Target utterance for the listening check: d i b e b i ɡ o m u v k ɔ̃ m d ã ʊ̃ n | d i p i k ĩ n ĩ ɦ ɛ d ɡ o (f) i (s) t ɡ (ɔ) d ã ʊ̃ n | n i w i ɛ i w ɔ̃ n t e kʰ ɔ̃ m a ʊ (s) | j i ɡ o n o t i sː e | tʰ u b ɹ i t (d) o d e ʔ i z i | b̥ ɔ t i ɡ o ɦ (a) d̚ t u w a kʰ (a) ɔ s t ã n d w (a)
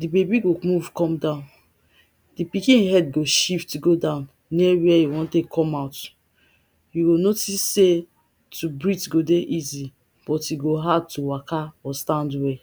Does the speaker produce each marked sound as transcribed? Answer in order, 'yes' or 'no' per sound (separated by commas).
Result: no, no, no, no, no, yes, yes, no